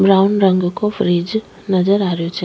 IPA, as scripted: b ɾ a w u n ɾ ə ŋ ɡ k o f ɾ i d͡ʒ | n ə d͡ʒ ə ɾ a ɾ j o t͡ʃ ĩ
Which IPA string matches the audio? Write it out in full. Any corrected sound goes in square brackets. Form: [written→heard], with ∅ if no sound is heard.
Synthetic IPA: b ɾ a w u n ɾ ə ŋ ɡ k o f ɾ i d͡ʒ | n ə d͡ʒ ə ɾ a ɾ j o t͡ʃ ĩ